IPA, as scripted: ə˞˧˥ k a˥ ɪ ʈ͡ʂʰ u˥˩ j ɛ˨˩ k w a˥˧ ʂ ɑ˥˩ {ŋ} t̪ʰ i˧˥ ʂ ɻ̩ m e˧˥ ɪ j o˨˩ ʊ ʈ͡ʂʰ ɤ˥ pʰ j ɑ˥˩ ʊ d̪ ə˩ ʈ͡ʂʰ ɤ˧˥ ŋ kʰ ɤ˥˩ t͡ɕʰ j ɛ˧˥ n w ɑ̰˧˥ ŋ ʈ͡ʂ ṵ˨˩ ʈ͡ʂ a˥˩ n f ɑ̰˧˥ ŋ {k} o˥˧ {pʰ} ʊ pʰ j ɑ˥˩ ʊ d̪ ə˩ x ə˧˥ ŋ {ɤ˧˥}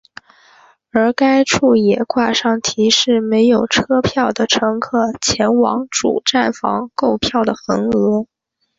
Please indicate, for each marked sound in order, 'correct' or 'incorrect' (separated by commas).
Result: correct, correct, incorrect, correct